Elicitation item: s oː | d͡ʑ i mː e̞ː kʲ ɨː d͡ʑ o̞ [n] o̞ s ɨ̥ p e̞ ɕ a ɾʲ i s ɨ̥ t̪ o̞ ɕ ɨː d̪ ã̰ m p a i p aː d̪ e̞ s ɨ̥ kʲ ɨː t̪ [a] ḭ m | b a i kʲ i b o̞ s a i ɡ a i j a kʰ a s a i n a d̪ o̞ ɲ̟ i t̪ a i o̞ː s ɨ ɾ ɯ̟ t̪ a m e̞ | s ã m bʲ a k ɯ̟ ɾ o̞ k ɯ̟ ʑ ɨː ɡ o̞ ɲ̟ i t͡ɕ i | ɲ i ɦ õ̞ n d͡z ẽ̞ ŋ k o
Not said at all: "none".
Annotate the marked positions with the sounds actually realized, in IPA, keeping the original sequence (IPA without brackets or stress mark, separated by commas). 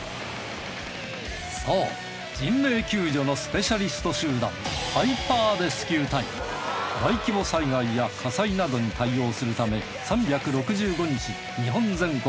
n, a